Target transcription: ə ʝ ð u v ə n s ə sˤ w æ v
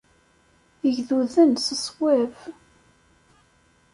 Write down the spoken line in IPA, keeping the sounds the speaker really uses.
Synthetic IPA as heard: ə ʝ ð u ð ə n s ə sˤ w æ v